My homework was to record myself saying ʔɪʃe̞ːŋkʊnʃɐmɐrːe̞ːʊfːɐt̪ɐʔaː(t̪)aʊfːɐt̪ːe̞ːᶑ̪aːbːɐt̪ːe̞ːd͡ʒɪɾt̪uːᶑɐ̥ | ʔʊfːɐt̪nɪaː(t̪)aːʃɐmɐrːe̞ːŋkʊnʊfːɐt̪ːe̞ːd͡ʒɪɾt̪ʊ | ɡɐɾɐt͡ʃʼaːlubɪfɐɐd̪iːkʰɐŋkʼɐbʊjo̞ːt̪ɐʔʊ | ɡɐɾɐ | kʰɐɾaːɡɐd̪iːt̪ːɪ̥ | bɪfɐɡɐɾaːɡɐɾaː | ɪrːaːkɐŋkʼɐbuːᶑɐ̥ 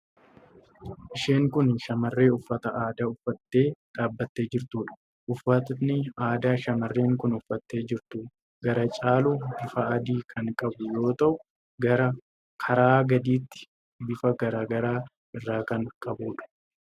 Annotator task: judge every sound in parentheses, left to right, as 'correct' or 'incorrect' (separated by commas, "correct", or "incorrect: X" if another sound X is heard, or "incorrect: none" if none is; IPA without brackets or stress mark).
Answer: incorrect: d̪, incorrect: d̪